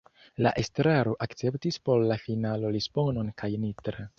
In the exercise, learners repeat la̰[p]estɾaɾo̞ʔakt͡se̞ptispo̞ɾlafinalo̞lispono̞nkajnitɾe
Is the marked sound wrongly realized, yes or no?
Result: yes